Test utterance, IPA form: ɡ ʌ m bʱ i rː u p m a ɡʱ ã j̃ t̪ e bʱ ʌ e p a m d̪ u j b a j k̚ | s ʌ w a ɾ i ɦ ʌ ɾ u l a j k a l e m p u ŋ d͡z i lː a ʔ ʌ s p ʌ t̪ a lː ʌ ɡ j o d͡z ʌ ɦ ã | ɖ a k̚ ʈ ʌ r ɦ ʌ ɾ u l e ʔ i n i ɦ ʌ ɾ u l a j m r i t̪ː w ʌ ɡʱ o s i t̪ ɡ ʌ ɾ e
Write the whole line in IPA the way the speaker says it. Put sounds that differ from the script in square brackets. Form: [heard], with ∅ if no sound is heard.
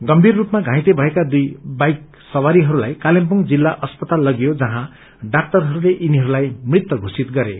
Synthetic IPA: ɡ ʌ m bʱ i rː u p m a ɡʱ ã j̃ t̪ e bʱ ʌ e [k] a [∅] d̪ u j b a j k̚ | s ʌ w a ɾ i ɦ ʌ ɾ u l a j k a l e m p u ŋ d͡z i lː a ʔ ʌ s p ʌ t̪ a lː ʌ ɡ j o d͡z ʌ ɦ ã | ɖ a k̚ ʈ ʌ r ɦ ʌ ɾ u l e ʔ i n i ɦ ʌ ɾ u l a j m r i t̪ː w ʌ ɡʱ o s i t̪ ɡ ʌ ɾ e